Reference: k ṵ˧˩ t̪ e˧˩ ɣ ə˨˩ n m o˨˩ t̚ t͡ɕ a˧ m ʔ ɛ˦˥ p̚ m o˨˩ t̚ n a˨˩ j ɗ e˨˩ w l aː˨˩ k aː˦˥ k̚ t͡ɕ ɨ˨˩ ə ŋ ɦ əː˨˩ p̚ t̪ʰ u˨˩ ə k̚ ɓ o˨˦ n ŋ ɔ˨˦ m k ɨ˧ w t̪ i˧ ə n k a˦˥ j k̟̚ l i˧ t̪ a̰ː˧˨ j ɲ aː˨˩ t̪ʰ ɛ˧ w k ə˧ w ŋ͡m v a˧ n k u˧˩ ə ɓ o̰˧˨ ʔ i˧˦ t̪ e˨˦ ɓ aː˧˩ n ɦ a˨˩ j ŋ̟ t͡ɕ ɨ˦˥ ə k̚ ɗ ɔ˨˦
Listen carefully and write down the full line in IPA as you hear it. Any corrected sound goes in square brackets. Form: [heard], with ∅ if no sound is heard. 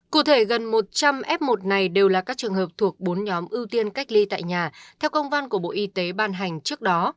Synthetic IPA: k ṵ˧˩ [t̪ʰ] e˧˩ ɣ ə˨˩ n m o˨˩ t̚ t͡ɕ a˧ m ʔ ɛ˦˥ p̚ m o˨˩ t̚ n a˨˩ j ɗ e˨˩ w l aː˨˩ k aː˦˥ k̚ t͡ɕ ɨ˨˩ ə ŋ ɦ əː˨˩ p̚ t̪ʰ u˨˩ ə k̚ ɓ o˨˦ n [ɲ] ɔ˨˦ m [ʔ] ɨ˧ w t̪ i˧ ə n k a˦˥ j k̟̚ l i˧ t̪ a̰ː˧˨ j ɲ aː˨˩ t̪ʰ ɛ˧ w k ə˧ w ŋ͡m v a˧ n k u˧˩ ə ɓ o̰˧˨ ʔ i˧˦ t̪ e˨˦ ɓ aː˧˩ n ɦ a˨˩ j ŋ̟ t͡ɕ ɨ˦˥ ə k̚ ɗ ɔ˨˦